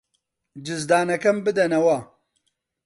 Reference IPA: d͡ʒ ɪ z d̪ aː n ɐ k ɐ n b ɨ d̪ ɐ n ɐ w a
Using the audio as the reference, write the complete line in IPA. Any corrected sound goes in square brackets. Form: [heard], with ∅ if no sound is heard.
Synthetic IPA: d͡ʒ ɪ z d̪ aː n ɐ k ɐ [m] b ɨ d̪ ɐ n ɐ w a